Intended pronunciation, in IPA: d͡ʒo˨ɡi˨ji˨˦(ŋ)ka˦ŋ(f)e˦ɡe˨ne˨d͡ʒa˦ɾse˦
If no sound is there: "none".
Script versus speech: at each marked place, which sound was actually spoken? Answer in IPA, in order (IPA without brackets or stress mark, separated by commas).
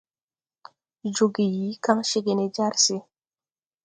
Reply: none, ʃ